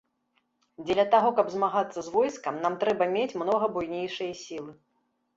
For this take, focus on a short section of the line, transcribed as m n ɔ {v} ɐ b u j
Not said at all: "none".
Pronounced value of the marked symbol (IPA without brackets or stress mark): ɣ